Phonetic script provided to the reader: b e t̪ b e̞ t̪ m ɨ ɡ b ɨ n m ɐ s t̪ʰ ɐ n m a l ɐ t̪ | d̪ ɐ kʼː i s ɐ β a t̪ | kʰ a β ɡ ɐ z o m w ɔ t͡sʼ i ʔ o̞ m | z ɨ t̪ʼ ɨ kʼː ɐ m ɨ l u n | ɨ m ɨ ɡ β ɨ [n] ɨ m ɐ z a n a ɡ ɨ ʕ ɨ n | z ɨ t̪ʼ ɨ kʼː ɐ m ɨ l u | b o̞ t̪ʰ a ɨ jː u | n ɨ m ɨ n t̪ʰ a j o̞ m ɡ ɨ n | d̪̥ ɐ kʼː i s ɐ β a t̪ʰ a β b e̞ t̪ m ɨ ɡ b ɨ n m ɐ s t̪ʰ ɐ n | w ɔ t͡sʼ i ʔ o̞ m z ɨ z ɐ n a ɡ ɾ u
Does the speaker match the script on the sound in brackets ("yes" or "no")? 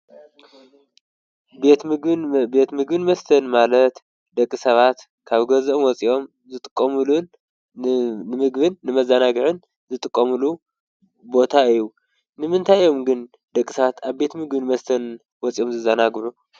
no